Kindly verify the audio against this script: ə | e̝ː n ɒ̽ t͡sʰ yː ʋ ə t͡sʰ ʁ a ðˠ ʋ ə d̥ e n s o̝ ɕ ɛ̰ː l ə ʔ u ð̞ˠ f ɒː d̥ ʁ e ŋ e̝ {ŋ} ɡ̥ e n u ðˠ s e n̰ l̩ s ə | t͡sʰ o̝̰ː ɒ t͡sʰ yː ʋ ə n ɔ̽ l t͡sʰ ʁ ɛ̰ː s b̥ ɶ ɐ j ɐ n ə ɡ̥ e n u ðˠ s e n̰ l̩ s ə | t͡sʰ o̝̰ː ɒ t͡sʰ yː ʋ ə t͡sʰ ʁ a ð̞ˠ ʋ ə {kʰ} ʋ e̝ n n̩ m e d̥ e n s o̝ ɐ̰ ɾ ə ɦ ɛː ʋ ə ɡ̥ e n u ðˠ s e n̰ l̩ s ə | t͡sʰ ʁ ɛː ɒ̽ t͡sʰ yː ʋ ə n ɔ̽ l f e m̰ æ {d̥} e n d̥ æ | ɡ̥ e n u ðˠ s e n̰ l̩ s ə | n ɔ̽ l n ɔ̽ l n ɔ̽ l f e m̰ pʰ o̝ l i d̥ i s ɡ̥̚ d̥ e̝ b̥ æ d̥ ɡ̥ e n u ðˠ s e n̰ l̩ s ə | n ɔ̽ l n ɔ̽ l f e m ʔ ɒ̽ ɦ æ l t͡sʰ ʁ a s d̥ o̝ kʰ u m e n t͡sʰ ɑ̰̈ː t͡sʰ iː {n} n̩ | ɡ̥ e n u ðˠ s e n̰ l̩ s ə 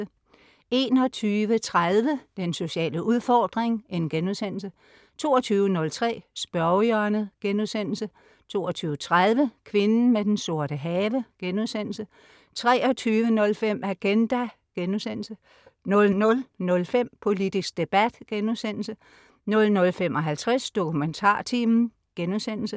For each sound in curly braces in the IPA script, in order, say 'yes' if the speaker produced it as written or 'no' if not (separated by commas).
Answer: no, yes, no, no